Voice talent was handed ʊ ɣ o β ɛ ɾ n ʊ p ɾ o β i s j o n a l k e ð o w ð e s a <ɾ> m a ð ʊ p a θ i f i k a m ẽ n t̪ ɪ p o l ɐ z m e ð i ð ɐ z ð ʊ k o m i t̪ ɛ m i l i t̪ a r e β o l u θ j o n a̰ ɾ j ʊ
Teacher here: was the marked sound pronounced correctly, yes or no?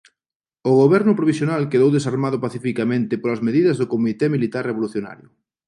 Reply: yes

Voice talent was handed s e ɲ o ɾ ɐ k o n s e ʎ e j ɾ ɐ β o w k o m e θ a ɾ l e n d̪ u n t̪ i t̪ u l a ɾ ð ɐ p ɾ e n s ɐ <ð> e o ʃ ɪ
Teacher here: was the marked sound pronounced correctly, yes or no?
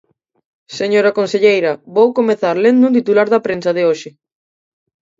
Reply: yes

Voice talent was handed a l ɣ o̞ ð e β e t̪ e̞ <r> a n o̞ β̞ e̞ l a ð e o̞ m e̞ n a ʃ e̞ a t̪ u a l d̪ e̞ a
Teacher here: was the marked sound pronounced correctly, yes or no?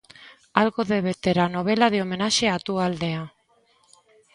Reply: no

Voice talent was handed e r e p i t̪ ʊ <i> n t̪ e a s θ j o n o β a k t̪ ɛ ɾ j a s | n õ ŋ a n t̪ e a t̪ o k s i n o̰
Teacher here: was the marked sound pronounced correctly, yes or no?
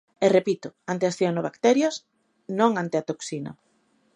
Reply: no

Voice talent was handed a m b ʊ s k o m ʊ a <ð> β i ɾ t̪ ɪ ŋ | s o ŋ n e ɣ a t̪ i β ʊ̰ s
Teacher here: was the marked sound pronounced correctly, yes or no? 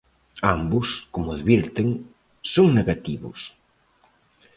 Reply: yes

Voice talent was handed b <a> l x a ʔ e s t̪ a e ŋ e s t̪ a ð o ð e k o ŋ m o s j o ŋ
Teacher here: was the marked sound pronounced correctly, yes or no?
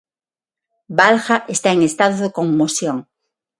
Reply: yes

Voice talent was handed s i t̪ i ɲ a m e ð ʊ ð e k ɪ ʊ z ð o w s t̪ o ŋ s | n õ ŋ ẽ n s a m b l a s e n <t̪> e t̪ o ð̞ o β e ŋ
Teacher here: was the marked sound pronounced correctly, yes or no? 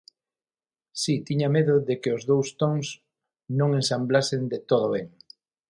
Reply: no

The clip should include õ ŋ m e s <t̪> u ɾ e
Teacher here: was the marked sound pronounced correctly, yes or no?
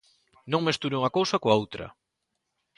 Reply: yes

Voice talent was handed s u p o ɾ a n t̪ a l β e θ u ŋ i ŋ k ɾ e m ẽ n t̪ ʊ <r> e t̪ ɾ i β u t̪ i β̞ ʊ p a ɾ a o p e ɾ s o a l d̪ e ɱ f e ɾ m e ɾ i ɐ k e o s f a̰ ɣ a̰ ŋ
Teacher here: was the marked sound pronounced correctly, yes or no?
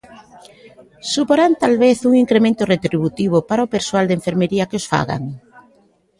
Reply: yes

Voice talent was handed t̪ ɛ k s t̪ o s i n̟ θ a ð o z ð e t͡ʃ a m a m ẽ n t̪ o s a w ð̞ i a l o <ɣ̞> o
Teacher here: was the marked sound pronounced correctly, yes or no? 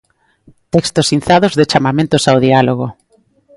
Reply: yes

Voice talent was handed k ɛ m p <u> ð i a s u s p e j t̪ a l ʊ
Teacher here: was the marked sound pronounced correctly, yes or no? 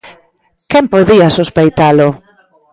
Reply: no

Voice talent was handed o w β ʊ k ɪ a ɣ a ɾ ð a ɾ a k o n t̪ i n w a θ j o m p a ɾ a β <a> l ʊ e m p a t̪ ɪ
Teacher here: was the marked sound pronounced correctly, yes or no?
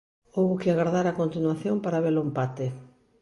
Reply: no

